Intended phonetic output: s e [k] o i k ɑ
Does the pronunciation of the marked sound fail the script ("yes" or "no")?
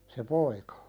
yes